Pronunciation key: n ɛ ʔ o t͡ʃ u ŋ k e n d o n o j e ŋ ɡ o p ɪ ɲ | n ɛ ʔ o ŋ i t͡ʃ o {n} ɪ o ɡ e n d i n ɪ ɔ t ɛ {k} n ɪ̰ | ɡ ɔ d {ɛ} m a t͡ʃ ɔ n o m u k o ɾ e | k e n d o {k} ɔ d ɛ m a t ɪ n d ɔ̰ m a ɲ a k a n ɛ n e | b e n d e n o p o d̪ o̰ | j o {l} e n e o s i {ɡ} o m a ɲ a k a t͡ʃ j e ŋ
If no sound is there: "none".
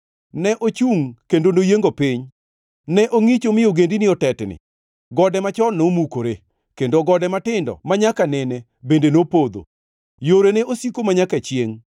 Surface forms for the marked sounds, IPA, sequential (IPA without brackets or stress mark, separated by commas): m, t, ɛ, ɡ, ɾ, k